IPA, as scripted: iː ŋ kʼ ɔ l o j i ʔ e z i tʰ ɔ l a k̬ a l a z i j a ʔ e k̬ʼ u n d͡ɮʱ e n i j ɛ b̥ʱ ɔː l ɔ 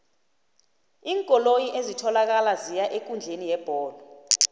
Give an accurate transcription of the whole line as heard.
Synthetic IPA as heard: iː ŋ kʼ ɔ l o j i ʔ e z i tʰ ɔ l a k̬ a l a z i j a ʔ e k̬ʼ u n d͡ɮʱ e n i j ɛ b̥ʱ ɔː l ɔ

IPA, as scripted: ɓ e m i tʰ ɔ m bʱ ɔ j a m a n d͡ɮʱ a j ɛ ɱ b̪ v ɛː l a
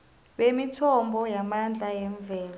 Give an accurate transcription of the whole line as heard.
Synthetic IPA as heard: ɓ e m i tʰ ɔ m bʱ ɔ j a m a n d͡ɮʱ a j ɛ ɱ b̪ v ɛː l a

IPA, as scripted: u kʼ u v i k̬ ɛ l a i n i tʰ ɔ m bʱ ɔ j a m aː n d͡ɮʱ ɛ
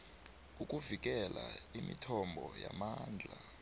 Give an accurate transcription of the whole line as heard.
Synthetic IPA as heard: u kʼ u v i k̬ ɛ l a i m i tʰ ɔ m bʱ ɔ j a m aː n d͡ɮʱ a

